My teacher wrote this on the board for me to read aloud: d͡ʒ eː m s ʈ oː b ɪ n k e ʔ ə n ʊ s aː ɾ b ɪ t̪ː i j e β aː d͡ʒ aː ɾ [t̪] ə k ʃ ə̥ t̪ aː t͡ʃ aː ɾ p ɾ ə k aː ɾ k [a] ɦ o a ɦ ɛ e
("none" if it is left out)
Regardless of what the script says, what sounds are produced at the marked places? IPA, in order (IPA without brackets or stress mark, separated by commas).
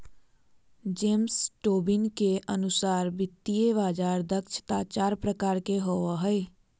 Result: d̪, e